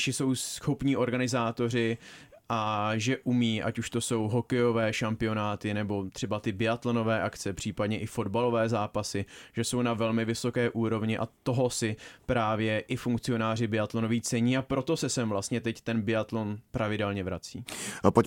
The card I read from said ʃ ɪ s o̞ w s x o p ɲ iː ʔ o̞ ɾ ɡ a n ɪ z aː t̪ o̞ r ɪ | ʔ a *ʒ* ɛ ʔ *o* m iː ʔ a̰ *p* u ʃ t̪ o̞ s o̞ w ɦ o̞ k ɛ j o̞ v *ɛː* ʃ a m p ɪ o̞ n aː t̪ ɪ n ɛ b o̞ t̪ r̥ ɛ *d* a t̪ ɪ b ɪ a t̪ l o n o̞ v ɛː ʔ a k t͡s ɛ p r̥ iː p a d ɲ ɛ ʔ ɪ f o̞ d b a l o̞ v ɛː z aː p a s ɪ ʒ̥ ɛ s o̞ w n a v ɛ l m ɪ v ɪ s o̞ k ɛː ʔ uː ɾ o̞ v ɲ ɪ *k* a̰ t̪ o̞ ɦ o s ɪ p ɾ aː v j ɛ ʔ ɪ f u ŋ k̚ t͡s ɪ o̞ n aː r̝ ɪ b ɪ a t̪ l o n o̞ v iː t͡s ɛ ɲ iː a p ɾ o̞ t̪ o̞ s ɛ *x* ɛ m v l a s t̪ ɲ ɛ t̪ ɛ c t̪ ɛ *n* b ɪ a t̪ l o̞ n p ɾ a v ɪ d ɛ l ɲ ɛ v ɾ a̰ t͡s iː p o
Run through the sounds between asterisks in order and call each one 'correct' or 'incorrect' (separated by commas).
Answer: correct, incorrect, incorrect, correct, incorrect, incorrect, incorrect, correct